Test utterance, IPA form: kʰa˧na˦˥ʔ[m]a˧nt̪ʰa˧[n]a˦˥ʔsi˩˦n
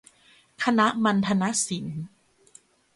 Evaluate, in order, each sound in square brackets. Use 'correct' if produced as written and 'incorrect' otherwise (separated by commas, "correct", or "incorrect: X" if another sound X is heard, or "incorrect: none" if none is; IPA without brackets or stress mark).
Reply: correct, correct